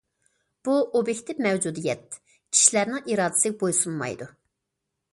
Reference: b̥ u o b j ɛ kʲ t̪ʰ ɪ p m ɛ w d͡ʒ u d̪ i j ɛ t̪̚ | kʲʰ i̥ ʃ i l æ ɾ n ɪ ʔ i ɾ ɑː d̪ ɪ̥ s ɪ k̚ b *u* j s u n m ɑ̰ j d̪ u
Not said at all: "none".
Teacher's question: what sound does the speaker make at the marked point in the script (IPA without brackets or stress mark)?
o